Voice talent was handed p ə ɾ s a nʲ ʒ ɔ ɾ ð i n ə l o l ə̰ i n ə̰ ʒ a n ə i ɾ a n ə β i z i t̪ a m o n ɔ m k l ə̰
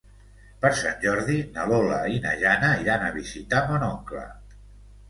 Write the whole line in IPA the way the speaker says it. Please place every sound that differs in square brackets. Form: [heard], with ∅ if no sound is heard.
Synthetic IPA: p ə ɾ s a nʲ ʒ ɔ ɾ ð i n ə l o l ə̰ i n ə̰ ʒ a n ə i ɾ a n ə β i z i t̪ a m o n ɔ [ŋ] k l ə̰